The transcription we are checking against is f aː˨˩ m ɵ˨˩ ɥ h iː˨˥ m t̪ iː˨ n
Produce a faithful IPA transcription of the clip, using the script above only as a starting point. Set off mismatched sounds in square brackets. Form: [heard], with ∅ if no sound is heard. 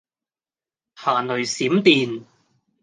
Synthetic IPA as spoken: [h] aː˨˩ [n] ɵ˨˩ ɥ [s] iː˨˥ m t̪ iː˨ n